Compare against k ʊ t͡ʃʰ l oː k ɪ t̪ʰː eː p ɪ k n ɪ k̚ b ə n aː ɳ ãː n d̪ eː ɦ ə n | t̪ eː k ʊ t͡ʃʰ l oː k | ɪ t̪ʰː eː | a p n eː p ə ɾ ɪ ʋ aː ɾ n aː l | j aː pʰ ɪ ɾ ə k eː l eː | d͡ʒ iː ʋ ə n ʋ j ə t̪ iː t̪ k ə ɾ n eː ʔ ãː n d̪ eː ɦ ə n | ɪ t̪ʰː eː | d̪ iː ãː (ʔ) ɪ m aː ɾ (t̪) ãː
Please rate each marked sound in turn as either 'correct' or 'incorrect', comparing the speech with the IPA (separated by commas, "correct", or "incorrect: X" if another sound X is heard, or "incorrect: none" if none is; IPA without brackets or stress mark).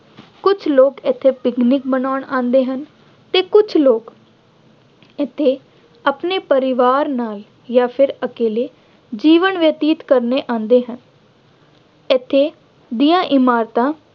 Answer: correct, correct